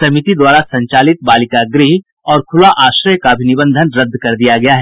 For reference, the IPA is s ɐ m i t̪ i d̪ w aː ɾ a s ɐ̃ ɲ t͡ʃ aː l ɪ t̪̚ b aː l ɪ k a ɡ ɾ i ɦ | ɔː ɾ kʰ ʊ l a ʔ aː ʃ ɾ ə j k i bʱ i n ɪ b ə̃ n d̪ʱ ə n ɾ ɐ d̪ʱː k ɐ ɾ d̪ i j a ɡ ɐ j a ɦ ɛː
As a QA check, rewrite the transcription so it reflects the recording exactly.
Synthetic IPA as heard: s ɐ m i t̪ i d̪ w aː ɾ a s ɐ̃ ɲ t͡ʃ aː l ɪ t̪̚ b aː l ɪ k a ɡ ɾ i ɦ | ɔː ɾ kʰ ʊ l a ʔ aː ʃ ɾ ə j k a bʱ i n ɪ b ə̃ n d̪ʱ ə n ɾ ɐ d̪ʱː k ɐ ɾ d̪ i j a ɡ ɐ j a ɦ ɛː